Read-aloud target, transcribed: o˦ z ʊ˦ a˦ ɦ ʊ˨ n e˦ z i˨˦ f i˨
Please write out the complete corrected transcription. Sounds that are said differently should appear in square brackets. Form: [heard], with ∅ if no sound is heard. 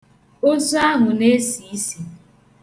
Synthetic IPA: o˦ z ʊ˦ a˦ ɦ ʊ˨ n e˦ [s] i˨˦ [s] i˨